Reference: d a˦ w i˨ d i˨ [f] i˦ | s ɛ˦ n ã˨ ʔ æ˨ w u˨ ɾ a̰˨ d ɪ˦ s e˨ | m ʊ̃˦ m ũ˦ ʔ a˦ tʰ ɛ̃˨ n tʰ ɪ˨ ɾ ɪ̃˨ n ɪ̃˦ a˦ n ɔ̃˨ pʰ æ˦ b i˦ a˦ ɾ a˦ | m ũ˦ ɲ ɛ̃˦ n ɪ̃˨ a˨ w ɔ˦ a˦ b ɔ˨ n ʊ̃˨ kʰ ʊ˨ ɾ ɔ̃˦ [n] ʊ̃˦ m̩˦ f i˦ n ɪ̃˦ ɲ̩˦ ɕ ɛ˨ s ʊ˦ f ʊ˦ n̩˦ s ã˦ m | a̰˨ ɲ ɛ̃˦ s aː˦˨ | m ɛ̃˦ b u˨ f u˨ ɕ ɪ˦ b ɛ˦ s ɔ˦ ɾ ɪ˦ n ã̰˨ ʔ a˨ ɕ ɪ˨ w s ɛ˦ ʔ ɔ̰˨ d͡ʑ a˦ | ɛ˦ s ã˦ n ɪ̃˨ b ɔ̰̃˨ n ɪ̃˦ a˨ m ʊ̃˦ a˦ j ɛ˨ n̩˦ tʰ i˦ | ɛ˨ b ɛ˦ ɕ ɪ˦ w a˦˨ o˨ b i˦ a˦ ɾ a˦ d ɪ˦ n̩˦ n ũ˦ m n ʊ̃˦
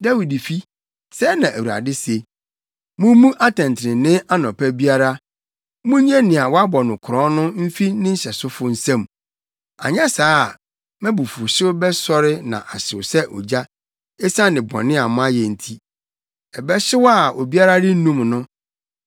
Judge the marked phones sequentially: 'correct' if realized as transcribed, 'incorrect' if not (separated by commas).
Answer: correct, correct